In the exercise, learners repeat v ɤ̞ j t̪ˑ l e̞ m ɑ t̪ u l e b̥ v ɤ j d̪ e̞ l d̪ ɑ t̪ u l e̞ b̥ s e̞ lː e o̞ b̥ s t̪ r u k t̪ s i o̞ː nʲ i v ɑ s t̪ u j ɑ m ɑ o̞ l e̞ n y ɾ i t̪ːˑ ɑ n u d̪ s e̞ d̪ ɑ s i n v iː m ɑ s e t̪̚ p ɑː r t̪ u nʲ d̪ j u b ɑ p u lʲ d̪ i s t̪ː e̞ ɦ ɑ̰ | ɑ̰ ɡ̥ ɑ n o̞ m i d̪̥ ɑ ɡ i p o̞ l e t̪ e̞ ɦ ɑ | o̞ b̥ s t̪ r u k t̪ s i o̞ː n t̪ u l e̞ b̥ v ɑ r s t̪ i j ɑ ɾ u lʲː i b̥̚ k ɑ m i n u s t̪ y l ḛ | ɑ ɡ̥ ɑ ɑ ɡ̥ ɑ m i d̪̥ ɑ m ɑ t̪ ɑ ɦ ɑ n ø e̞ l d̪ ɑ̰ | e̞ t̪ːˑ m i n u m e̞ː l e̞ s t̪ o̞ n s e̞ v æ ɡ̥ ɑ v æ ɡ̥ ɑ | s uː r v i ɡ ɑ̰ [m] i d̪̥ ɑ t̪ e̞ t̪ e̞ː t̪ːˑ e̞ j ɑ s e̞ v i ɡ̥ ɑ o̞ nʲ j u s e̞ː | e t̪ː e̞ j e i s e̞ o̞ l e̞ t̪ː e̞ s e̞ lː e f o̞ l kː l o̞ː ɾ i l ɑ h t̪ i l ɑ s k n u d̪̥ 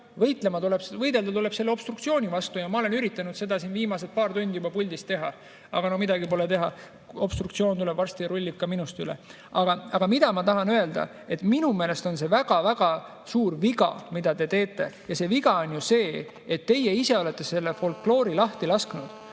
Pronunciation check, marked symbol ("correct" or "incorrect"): correct